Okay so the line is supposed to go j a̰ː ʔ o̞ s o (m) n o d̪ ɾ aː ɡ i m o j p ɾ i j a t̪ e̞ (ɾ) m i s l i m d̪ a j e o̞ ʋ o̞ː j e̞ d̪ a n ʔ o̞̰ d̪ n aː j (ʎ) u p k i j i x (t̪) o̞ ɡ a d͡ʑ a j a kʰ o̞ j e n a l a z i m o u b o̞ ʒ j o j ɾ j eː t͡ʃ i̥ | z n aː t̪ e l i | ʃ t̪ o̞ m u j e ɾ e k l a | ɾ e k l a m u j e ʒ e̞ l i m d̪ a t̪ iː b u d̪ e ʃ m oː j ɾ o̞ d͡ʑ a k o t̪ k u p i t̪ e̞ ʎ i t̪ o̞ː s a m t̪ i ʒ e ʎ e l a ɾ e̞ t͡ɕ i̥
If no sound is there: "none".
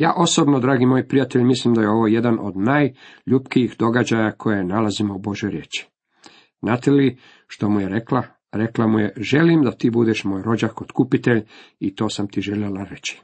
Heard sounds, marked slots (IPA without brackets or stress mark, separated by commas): b, ʎ, ʎ, d̪